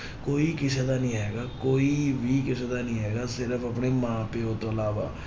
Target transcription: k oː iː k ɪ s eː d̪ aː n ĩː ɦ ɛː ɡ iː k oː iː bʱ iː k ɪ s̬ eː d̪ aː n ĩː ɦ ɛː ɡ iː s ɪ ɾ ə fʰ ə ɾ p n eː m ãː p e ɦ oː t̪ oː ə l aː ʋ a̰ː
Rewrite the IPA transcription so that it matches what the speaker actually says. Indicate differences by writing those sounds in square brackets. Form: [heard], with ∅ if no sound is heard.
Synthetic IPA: k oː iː k ɪ s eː d̪ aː n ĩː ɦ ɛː ɡ [aː] k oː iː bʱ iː k ɪ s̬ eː d̪ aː n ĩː ɦ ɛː ɡ [aː] s ɪ ɾ ə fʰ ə [∅] p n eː m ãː p e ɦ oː t̪ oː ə l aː ʋ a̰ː